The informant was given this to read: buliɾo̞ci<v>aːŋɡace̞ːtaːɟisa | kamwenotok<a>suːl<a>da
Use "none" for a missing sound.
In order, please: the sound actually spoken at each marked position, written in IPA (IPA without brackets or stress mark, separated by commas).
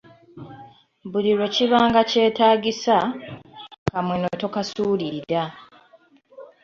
β, a, i